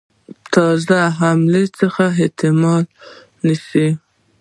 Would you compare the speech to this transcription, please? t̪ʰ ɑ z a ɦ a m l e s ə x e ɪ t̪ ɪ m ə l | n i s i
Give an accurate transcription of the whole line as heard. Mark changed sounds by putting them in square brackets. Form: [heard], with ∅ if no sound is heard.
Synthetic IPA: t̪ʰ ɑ z a ɦ a m l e [t͡s] ə x [a] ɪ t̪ ɪ m [ɑ] l | n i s i